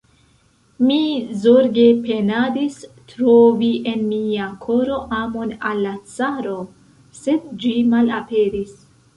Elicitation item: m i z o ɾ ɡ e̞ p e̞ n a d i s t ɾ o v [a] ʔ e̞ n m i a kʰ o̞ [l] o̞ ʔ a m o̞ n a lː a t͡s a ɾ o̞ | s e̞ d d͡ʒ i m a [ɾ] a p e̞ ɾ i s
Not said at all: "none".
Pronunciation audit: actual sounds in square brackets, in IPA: i, ɾ, l

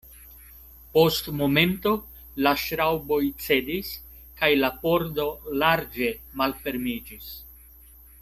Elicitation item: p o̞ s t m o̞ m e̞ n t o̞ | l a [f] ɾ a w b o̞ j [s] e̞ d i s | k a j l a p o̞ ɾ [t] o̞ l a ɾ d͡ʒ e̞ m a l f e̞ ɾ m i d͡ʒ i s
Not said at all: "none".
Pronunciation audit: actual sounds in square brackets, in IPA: ʃ, t͡s, d

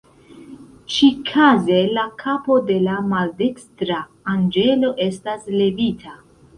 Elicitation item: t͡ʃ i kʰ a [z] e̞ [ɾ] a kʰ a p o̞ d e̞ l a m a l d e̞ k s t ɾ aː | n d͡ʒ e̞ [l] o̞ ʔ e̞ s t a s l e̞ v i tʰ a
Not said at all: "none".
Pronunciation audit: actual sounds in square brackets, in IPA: z, l, l

